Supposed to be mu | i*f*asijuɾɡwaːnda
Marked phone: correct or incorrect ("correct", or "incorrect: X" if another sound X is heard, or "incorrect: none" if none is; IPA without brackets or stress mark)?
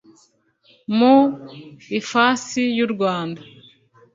correct